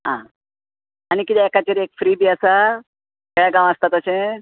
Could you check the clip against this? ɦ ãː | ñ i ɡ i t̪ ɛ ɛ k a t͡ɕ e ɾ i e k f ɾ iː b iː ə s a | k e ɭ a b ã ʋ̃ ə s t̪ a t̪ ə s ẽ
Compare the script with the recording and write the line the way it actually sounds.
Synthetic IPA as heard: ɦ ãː | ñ i k i t̪ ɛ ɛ k a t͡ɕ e ɾ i e k f ɾ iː b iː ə s a | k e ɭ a ɡ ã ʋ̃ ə s t̪ a t̪ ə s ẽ